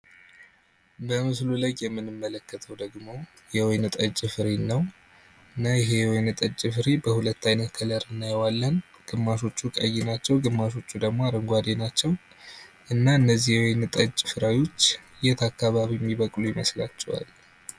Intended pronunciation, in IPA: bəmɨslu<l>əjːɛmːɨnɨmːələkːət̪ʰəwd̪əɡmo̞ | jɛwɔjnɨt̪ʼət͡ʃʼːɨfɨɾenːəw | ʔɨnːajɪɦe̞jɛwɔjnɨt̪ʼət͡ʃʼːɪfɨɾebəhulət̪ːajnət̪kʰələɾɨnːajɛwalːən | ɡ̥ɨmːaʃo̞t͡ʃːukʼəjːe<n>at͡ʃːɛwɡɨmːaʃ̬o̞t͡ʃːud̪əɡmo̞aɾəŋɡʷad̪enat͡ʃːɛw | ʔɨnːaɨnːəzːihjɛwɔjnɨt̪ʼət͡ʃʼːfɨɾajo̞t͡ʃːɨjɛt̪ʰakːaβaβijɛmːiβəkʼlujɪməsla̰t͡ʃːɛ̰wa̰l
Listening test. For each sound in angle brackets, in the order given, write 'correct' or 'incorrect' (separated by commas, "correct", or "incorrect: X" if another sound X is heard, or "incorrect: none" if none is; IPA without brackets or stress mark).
correct, correct